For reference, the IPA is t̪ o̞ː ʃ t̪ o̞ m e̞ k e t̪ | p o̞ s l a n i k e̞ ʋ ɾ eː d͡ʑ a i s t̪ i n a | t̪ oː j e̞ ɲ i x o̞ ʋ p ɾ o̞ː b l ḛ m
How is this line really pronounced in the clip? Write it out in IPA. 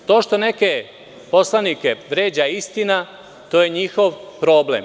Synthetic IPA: t̪ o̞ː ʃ t̪ o̞ n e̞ k e | p o̞ s l a n i k e̞ ʋ ɾ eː d͡ʑ a i s t̪ i n a | t̪ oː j e̞ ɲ i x o̞ ʋ p ɾ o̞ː b l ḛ m